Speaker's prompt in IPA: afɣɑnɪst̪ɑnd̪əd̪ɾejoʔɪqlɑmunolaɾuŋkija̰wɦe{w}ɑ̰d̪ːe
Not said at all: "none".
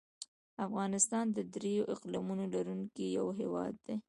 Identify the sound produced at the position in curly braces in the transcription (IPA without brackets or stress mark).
w